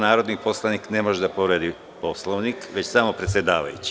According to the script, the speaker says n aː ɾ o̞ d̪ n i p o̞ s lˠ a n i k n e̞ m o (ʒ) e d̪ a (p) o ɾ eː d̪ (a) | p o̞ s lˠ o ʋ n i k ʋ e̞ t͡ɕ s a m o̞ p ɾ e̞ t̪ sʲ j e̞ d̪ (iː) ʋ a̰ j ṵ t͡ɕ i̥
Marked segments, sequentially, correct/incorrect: correct, correct, incorrect: i, incorrect: aː

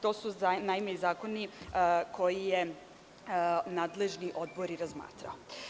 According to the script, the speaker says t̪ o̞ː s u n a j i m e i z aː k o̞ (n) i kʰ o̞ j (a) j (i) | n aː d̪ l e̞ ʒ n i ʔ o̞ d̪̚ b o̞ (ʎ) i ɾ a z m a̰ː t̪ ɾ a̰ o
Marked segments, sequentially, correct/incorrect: correct, incorrect: i, incorrect: e, incorrect: ɾ

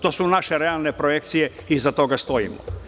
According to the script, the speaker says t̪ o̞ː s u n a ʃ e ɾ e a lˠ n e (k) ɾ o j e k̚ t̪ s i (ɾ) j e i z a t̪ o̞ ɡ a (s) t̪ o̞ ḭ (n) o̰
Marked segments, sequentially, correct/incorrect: incorrect: p, incorrect: none, correct, incorrect: m

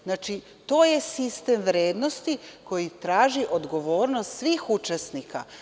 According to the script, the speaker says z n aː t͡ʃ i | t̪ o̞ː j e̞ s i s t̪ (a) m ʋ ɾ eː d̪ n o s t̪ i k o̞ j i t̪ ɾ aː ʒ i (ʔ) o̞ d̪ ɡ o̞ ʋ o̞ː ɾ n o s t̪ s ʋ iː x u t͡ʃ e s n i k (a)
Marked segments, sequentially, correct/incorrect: incorrect: e, correct, correct

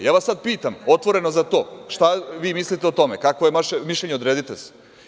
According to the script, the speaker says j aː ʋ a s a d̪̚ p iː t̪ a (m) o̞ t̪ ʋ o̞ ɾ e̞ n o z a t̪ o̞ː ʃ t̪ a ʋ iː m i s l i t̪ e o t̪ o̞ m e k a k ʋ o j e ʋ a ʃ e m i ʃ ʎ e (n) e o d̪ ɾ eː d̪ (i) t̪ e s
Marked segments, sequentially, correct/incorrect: correct, incorrect: ɲ, correct

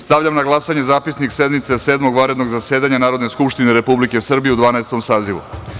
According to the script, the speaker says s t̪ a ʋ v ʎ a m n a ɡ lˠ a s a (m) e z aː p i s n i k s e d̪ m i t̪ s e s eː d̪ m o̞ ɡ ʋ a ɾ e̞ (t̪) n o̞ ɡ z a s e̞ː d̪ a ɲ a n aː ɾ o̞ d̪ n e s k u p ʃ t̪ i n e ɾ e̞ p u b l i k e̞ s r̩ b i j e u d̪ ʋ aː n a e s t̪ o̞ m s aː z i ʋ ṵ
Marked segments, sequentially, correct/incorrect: incorrect: ɲ, incorrect: d̪

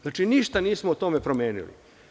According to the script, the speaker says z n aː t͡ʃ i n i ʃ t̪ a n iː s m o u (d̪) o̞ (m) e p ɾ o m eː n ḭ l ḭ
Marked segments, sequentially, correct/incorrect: incorrect: t̪, correct

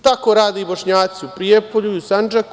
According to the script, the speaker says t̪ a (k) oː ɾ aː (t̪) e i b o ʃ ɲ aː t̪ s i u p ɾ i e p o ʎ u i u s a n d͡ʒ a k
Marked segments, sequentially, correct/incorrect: correct, incorrect: d̪

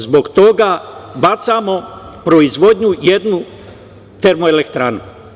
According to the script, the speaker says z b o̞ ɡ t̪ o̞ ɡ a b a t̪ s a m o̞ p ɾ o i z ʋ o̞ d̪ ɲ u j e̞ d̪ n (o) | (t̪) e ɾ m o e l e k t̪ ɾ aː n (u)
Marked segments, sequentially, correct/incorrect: incorrect: u, correct, correct

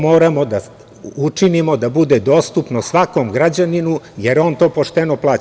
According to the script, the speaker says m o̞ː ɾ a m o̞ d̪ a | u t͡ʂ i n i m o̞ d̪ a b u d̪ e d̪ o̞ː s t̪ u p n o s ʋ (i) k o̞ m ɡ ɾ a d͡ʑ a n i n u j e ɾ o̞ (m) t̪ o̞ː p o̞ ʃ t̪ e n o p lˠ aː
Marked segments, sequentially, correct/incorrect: incorrect: a, incorrect: n

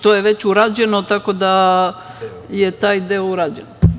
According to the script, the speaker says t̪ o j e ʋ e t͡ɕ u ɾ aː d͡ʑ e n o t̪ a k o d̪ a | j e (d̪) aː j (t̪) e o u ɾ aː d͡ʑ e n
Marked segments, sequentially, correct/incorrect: incorrect: t̪, incorrect: d̪

